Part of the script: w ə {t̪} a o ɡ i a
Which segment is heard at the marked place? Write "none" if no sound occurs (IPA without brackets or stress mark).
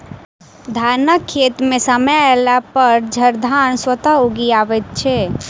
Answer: t̪